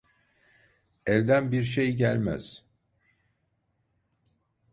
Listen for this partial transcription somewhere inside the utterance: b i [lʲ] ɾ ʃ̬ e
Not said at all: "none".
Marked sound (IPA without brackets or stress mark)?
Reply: none